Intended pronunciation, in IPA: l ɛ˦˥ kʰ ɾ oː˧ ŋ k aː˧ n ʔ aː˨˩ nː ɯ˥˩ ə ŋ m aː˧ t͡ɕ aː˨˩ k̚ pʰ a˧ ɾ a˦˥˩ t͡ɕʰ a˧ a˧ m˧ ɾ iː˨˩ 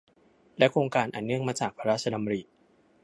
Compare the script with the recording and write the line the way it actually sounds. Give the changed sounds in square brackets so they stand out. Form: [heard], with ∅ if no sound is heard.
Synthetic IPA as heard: l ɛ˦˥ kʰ ɾ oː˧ ŋ k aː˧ n ʔ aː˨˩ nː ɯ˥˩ ə ŋ m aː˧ t͡ɕ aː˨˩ k̚ pʰ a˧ ɾ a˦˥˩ t͡ɕʰ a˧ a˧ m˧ ɾ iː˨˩